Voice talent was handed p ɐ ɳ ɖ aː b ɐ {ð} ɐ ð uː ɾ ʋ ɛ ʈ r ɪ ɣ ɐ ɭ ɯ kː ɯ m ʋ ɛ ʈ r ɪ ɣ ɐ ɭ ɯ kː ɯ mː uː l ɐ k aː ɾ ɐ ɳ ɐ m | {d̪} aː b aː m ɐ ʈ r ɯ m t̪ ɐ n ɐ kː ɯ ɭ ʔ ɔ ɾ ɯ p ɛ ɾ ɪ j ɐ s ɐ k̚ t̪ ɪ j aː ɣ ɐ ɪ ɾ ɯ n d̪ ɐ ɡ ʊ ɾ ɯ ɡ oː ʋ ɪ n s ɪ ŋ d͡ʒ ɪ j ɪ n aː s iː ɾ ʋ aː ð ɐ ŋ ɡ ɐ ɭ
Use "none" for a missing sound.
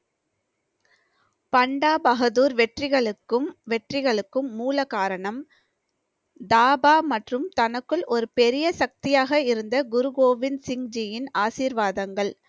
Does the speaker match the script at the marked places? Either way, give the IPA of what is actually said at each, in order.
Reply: ɣ, d̪

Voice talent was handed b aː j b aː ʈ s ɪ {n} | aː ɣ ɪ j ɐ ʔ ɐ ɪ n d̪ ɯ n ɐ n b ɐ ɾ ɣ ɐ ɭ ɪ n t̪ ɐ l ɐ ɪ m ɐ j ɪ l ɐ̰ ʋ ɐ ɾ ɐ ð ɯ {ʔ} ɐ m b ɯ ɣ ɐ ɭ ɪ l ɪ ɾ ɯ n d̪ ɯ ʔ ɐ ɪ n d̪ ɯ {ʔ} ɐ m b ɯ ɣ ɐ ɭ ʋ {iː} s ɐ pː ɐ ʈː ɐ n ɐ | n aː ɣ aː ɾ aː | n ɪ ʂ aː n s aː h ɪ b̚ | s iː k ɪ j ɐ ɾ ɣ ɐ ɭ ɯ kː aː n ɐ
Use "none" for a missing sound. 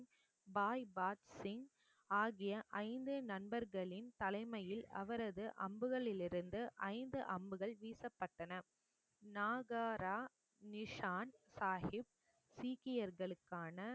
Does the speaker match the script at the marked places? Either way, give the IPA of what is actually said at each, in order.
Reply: ŋ, ʔ, ʔ, iː

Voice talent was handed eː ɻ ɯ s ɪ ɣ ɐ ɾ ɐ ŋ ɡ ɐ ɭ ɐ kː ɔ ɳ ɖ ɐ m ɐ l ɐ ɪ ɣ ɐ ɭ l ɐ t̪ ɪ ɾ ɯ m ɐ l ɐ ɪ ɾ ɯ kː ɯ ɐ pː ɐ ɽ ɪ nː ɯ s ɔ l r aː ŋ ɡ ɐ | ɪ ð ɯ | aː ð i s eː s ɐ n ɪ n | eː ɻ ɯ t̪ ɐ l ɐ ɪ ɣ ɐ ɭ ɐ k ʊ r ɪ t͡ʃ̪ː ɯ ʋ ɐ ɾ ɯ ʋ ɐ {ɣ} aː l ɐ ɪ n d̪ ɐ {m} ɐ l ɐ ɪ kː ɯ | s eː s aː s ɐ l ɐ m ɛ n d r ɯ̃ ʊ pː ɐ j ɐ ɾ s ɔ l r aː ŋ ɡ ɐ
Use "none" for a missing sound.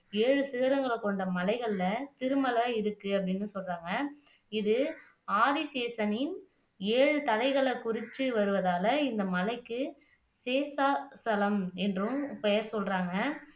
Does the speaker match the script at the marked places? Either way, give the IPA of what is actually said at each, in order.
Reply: ð, m

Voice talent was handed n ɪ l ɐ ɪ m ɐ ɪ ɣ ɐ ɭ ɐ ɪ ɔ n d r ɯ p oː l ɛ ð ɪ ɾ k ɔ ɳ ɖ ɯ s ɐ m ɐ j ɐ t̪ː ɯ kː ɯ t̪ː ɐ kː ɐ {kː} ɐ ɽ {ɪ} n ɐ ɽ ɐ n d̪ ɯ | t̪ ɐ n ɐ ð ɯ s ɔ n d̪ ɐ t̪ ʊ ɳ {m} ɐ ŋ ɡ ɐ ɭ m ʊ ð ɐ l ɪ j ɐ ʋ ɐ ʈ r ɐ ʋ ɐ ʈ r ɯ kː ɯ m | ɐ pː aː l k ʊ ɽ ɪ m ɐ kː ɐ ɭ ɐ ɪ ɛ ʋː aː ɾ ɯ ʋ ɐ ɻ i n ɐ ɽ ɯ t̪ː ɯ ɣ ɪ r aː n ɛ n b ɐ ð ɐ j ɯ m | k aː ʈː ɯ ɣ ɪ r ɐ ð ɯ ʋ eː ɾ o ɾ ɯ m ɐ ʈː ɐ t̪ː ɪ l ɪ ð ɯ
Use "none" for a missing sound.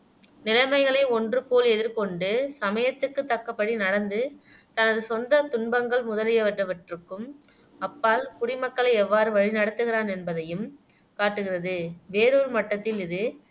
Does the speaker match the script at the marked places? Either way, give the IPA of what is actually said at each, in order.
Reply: pː, i, b

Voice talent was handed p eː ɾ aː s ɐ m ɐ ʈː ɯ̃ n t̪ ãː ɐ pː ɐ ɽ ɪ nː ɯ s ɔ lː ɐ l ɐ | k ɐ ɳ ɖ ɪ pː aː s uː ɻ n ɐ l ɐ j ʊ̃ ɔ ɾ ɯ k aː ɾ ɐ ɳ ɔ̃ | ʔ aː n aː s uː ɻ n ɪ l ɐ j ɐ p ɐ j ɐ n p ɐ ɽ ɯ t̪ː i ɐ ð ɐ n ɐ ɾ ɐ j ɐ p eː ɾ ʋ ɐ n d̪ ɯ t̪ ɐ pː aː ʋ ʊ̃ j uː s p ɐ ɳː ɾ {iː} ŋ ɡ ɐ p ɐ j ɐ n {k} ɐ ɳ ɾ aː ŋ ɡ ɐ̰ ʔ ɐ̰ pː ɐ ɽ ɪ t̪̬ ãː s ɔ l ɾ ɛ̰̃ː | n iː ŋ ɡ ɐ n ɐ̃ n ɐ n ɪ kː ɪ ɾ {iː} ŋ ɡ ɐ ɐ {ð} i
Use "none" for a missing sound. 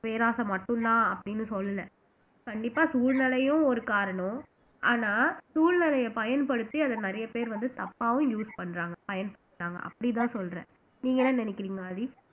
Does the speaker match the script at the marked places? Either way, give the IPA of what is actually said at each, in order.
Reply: aː, p, iː, ð

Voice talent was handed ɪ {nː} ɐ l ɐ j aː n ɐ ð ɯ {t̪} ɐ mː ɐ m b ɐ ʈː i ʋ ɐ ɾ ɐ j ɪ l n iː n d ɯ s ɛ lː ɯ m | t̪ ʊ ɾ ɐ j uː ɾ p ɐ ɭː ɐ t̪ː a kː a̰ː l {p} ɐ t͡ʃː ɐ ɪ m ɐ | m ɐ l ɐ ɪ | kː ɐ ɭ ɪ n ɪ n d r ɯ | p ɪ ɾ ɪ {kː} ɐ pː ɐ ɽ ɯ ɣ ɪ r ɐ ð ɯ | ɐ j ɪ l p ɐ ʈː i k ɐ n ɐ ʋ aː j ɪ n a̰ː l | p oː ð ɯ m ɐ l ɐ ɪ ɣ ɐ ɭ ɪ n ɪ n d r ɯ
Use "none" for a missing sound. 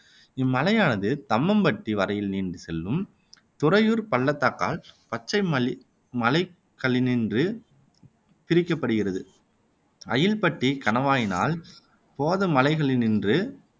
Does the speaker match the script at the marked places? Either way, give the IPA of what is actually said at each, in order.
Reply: mː, t̪, p, kː

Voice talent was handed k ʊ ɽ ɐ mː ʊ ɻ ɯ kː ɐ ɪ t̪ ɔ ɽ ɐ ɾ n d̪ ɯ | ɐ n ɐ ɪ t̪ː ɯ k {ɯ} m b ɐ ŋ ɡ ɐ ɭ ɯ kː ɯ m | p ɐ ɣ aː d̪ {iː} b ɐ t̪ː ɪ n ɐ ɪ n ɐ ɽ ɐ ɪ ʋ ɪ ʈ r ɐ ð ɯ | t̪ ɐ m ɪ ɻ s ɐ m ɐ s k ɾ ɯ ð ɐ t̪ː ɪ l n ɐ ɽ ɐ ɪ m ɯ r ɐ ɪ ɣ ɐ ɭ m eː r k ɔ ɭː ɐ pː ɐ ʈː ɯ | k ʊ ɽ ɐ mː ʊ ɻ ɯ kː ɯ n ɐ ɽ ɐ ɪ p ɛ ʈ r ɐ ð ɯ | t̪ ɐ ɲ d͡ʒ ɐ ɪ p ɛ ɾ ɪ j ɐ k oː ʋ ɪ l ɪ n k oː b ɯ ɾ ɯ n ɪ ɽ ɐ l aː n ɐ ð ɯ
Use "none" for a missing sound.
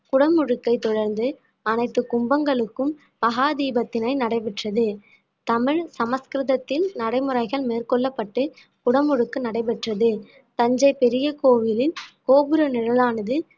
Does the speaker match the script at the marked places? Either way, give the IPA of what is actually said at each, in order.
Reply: ʊ, iː

